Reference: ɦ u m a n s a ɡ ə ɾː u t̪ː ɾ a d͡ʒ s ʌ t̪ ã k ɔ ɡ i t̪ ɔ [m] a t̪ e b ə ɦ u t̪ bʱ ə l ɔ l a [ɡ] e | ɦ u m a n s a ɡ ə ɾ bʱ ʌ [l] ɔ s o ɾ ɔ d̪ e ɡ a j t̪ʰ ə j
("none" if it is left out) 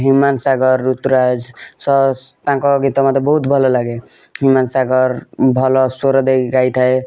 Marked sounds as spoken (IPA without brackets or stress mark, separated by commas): m, ɡ, l